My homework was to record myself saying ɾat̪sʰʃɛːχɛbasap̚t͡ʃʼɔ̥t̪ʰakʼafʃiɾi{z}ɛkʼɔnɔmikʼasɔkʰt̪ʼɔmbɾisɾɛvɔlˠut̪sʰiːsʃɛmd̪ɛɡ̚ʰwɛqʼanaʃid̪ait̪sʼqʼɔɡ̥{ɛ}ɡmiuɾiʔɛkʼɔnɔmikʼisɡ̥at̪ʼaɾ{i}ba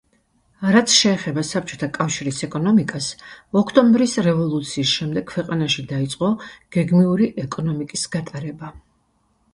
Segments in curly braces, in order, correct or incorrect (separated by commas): incorrect, correct, incorrect